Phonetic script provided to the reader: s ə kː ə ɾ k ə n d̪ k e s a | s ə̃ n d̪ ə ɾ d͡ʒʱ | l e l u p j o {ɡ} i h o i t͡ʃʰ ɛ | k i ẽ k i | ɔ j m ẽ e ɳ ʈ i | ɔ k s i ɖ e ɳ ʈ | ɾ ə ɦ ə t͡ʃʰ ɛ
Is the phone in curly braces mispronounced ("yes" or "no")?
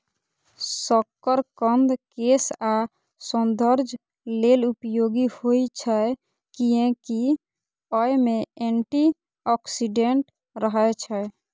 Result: no